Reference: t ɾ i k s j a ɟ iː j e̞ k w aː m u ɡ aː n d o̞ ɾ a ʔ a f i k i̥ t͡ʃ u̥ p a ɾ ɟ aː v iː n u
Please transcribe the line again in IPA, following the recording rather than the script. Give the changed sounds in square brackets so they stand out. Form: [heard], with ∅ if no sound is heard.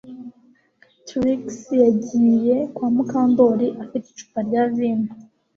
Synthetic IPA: t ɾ i k s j a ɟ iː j e̞ k w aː m u [k] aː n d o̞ ɾ [i] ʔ a f i [t] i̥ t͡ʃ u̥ p a ɾ ɟ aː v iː n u